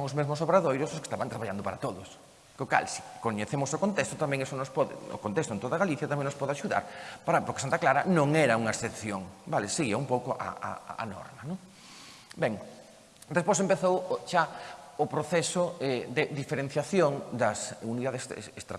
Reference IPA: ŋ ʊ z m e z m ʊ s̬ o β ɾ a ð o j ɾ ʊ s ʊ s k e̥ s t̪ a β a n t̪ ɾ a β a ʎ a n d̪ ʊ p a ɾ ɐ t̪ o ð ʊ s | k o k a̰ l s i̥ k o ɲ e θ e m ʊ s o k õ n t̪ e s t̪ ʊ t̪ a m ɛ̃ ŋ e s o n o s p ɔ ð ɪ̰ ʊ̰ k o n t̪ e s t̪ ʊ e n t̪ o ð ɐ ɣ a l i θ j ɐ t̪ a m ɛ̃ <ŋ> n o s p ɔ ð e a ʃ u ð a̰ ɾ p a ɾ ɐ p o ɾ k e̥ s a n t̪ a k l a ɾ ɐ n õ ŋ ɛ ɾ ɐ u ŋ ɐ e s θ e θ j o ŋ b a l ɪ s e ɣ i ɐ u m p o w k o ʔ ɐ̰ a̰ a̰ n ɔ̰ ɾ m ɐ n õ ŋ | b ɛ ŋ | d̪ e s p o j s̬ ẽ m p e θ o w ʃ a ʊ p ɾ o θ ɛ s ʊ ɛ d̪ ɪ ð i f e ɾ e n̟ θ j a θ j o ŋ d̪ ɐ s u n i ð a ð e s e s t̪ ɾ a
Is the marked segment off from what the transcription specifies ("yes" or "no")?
no